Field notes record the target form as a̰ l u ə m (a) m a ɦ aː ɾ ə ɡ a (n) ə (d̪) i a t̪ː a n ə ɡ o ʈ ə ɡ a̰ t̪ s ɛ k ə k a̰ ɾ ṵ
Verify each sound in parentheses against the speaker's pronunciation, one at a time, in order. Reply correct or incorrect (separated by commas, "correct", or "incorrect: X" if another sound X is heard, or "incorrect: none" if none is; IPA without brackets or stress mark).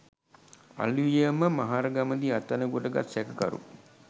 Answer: incorrect: ə, incorrect: m, correct